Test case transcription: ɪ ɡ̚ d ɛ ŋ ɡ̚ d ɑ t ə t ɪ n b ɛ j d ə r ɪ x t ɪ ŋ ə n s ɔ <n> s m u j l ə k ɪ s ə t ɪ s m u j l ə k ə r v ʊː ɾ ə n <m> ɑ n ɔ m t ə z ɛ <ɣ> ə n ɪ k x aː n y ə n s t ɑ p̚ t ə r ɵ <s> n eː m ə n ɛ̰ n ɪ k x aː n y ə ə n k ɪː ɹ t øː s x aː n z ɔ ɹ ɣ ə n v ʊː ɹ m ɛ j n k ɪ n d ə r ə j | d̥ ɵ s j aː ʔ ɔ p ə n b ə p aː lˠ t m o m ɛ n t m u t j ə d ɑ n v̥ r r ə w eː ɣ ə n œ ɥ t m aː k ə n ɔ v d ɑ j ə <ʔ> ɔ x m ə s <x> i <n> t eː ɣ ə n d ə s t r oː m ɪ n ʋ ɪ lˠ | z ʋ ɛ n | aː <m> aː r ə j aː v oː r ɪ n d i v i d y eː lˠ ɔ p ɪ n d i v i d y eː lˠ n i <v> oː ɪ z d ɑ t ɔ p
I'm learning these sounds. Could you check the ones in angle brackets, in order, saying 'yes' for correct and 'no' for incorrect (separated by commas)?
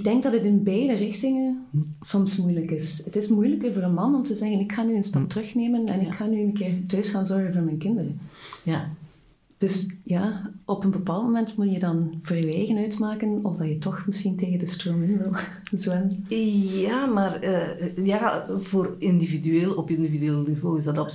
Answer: no, yes, yes, no, no, yes, yes, yes, yes